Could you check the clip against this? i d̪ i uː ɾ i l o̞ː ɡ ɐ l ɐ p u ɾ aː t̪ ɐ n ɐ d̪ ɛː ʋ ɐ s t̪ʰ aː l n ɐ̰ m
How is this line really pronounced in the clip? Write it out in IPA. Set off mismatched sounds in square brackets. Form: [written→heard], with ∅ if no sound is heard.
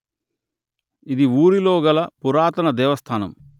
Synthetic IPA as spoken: i d̪ i uː ɾ i l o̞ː ɡ ɐ l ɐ p u ɾ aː t̪ ɐ n ɐ d̪ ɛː ʋ ɐ s t̪ʰ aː [l→∅] n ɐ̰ m